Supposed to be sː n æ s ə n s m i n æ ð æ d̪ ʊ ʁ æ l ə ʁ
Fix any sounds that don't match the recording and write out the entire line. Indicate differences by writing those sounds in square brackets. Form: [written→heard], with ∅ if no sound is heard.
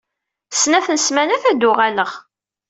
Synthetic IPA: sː n æ [s→θ] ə n s m [i→æ] n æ [ð→θ] æ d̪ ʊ ʁ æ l ə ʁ